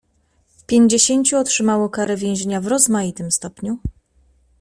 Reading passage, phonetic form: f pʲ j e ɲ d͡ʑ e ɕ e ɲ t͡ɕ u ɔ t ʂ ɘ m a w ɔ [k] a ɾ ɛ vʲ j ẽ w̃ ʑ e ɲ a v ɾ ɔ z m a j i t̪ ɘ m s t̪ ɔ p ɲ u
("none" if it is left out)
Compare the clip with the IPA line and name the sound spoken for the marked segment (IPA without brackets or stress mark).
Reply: k